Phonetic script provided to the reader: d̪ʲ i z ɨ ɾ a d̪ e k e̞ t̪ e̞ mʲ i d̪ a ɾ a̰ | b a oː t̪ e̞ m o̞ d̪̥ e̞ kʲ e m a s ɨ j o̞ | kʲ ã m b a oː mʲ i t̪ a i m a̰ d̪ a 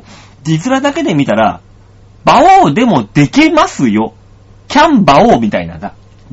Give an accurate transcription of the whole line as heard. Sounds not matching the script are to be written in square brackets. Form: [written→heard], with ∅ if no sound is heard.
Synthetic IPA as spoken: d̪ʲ i z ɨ ɾ a d̪ [e→a] k e̞ [t̪→d̪] e̞ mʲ i [d̪→t̪] a ɾ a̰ | b a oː [t̪→d̪] e̞ m o̞ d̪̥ e̞ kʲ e m a s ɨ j o̞ | kʲ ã m b a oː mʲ i t̪ a i [m→n] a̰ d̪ a